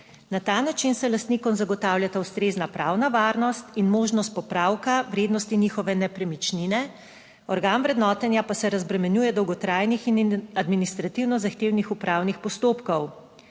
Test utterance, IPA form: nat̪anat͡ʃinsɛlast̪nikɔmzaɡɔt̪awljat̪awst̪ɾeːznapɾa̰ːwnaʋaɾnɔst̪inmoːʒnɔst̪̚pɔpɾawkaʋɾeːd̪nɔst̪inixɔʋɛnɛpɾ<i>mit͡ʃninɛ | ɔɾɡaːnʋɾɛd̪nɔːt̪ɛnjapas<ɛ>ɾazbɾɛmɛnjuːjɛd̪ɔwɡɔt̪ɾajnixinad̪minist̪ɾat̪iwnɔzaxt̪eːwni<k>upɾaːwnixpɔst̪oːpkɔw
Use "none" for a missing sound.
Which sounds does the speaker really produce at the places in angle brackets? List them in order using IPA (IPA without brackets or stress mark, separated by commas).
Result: ɛ, ɛ, x